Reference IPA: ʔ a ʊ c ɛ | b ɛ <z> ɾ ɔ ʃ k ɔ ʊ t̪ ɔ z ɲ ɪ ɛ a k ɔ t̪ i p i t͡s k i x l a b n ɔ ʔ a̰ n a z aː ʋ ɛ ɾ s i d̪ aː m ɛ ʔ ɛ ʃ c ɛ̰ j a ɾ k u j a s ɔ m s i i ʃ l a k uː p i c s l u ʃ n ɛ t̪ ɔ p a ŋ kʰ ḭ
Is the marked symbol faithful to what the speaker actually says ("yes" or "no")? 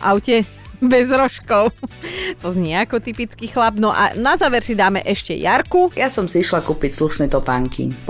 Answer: yes